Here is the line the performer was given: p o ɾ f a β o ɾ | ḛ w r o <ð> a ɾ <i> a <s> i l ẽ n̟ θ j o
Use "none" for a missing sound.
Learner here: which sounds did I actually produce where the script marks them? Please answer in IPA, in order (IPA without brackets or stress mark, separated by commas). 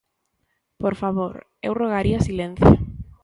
ɣ, i, s